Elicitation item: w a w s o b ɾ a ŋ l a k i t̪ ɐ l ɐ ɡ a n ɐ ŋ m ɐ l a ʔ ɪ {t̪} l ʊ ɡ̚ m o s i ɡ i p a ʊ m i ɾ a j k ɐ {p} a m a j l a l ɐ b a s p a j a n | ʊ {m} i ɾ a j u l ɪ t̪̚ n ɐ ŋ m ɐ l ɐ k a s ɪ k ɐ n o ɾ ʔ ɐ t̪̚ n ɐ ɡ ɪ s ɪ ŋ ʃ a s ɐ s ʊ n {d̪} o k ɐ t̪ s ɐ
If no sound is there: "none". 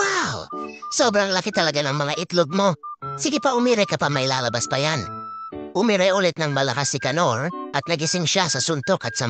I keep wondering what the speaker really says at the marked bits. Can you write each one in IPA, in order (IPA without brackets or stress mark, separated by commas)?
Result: t̪, p, m, t̪